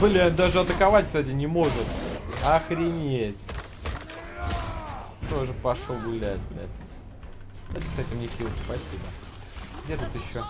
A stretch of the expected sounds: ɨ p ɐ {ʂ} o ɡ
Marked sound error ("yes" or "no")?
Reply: no